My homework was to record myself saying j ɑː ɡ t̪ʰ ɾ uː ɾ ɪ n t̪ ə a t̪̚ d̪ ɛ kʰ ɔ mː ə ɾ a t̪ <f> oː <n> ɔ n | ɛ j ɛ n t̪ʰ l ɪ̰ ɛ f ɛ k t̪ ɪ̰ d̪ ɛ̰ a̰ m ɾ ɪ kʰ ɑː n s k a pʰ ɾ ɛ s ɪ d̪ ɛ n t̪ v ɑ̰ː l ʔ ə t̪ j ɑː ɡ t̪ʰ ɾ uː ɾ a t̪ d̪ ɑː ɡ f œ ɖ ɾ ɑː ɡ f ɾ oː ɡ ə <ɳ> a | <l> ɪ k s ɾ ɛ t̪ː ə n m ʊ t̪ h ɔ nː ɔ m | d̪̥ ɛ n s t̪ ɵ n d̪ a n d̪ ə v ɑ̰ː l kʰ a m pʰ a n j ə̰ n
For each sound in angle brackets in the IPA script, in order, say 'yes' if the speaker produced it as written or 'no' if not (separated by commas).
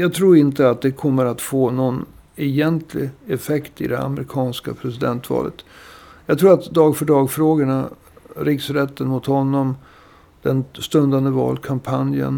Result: yes, yes, yes, no